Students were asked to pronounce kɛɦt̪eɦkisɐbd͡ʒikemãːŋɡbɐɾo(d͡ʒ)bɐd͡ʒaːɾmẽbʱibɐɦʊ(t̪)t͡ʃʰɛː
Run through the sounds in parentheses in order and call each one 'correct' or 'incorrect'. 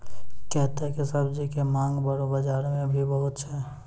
incorrect: none, correct

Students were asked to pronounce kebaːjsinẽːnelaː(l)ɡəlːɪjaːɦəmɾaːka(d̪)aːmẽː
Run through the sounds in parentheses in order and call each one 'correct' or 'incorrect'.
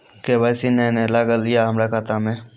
incorrect: none, incorrect: t̪

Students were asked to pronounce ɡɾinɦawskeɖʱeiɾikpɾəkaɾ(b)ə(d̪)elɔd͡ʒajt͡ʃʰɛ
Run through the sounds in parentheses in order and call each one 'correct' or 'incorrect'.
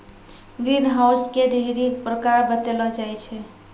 correct, incorrect: t̪

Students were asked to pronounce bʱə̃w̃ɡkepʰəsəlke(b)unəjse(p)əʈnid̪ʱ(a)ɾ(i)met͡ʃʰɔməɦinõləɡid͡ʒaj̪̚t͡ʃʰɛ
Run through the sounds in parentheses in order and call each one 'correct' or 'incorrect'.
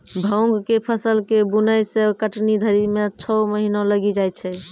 correct, incorrect: k, incorrect: ə, correct

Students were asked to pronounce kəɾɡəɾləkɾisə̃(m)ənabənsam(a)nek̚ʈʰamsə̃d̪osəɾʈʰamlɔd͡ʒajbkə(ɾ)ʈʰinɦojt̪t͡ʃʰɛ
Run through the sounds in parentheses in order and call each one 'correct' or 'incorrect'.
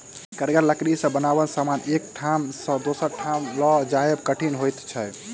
incorrect: b, correct, incorrect: none

